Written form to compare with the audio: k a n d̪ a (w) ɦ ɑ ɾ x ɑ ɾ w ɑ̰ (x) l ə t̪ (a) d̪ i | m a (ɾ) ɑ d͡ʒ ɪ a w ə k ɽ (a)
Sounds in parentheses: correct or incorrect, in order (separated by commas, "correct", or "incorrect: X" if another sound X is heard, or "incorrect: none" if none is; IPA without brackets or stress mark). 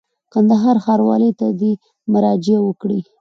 incorrect: none, incorrect: none, correct, correct, incorrect: i